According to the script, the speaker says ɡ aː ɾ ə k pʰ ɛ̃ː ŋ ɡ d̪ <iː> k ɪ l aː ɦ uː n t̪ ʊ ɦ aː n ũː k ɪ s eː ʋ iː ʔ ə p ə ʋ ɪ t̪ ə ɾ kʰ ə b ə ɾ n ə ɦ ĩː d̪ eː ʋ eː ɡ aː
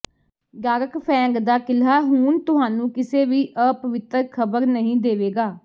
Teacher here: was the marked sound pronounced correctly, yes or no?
no